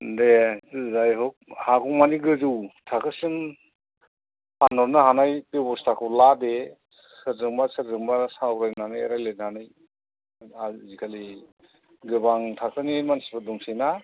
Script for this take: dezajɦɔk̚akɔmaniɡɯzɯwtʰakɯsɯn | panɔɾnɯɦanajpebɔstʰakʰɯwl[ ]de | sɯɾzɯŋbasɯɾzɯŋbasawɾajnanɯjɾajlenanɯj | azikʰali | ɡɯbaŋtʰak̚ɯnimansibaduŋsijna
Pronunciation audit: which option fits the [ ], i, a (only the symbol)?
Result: a